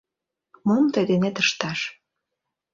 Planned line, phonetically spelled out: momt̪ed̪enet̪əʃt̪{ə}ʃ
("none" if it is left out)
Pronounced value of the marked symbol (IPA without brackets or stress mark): ɑ